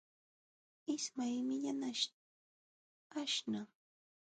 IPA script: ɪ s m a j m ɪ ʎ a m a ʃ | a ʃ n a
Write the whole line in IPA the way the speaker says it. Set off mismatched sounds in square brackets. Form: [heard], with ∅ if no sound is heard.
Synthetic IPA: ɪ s m a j m ɪ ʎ a [n] a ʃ | a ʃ n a